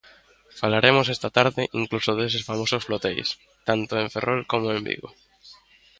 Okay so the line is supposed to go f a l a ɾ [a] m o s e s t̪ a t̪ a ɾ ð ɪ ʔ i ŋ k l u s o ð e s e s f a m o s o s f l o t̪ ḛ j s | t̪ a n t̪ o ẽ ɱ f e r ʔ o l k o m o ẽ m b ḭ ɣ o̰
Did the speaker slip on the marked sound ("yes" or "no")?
yes